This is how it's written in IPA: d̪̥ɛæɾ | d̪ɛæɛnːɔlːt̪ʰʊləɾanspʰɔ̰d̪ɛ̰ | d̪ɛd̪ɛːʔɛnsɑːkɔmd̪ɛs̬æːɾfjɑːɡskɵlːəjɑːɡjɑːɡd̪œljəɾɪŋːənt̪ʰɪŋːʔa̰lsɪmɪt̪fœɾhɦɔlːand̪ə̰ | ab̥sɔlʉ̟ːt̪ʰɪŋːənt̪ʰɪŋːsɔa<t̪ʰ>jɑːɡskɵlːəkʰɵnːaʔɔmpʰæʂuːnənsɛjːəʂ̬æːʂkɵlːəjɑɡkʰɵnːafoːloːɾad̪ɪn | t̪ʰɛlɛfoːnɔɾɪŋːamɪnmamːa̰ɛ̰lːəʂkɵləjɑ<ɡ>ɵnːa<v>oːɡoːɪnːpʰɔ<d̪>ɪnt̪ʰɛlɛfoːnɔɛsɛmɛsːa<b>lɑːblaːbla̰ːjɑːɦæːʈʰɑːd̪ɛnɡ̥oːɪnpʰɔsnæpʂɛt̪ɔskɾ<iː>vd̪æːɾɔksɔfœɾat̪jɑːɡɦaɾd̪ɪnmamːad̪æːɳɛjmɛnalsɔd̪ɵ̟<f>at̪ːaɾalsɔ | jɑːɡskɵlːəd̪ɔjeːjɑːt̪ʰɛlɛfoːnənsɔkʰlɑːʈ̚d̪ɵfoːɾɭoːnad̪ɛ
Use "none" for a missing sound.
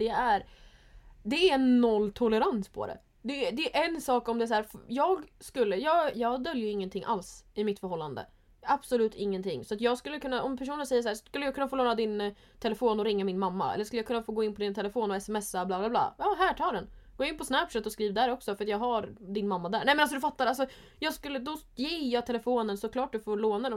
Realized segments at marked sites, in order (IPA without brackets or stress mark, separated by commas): t̪, k, f, d̪, b, iː, f